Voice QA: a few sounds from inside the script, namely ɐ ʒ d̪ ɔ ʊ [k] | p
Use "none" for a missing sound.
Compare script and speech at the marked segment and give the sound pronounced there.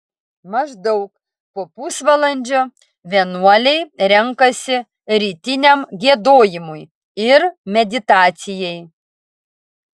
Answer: k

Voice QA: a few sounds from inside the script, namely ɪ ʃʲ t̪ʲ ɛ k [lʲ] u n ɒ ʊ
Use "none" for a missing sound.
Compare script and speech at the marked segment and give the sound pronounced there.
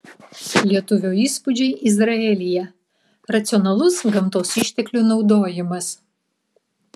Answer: lʲ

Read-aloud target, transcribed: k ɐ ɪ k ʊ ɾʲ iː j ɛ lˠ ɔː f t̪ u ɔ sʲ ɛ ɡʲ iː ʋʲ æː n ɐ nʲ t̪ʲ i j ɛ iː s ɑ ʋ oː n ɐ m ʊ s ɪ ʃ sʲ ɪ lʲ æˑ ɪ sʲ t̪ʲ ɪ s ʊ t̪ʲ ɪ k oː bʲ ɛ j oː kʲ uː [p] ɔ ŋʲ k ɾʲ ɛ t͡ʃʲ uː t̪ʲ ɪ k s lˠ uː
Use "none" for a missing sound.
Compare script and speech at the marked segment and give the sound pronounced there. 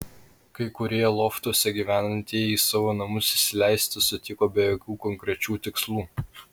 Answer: k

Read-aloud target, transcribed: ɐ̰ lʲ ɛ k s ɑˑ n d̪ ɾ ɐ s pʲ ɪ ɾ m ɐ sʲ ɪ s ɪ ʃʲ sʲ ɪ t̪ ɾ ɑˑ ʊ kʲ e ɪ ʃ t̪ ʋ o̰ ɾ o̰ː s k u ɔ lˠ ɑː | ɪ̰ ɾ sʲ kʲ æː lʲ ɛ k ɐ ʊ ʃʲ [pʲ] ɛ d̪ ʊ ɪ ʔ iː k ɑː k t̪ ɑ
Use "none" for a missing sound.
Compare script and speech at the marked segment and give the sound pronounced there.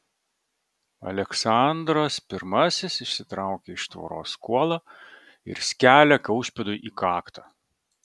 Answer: pʲ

